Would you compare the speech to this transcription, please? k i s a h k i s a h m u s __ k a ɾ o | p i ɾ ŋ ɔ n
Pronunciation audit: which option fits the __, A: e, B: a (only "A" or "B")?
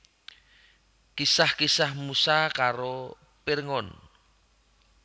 B